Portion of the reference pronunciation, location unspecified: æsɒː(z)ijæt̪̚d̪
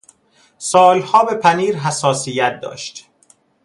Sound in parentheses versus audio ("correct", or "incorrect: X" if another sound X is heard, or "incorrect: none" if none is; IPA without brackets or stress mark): incorrect: s